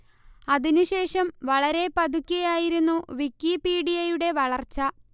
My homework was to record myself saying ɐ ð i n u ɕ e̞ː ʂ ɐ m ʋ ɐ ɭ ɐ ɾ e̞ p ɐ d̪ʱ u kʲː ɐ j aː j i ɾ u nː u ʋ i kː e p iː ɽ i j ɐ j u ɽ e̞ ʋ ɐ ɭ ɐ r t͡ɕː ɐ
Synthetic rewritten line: ɐ ð i n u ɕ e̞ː ʂ ɐ m ʋ ɐ ɭ ɐ ɾ e̞ p ɐ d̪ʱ u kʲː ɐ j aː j i ɾ u nː u ʋ i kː i p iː ɽ i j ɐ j u ɽ e̞ ʋ ɐ ɭ ɐ r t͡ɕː ɐ